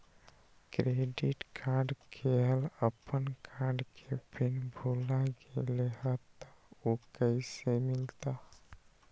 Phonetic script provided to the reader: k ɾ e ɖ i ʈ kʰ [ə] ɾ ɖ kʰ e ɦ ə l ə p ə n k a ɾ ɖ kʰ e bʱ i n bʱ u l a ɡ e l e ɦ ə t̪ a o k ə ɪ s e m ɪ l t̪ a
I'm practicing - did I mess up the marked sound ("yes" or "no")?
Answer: yes